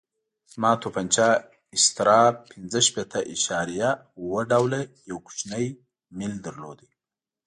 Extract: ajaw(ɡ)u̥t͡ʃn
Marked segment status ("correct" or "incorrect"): incorrect